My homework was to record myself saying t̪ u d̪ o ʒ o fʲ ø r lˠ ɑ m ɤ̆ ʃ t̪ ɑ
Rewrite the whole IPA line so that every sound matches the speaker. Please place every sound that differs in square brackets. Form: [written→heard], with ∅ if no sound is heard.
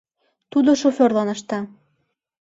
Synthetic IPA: t̪ u d̪ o [ʒ→ʃ] o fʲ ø r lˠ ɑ [m→n] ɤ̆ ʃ t̪ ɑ